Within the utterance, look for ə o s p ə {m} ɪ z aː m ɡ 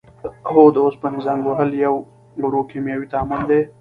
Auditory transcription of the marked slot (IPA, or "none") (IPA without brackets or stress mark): n